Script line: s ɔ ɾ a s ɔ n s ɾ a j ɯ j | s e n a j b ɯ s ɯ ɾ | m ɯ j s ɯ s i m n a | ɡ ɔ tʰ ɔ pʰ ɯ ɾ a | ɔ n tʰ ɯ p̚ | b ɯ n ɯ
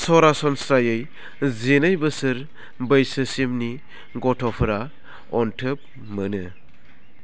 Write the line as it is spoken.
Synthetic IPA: s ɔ ɾ a s ɔ n s ɾ a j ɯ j | z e n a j b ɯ s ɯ ɾ | b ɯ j s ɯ s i m n i | ɡ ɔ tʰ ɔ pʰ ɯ ɾ a | ɔ n tʰ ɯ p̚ | m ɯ n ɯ